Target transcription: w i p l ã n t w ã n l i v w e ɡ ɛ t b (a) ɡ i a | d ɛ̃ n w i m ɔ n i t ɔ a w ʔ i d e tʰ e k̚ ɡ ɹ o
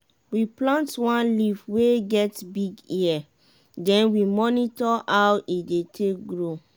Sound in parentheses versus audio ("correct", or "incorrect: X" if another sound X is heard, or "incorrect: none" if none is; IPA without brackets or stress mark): incorrect: i